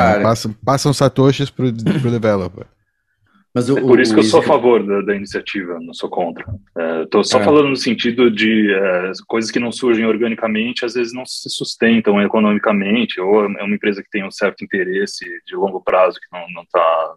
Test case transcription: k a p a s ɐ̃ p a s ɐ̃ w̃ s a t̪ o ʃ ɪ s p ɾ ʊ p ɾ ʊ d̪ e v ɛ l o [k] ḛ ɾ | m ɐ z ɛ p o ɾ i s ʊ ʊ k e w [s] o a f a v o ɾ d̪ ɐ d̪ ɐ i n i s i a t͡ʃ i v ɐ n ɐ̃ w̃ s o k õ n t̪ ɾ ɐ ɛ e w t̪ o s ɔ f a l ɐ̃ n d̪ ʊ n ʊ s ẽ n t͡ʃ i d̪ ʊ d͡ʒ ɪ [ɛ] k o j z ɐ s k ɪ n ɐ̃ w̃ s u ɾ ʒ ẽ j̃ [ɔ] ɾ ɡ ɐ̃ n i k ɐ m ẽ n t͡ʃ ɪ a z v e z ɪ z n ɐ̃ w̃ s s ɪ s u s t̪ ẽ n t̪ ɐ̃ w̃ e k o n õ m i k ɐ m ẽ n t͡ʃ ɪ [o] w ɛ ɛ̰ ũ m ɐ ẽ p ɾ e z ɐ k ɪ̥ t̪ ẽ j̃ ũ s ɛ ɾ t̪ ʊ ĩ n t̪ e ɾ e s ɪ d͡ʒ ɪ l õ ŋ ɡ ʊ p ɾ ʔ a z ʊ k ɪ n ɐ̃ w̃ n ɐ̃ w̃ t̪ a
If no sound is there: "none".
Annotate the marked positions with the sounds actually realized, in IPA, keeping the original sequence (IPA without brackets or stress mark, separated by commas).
p, s, ɛ, o, o